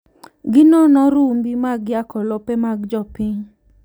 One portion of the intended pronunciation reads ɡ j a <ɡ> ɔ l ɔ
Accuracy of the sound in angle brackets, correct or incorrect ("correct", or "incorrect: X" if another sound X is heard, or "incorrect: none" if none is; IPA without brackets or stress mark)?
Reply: incorrect: k